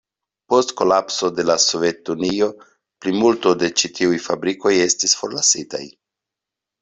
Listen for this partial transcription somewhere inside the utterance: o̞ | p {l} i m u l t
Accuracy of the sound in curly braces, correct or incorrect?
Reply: correct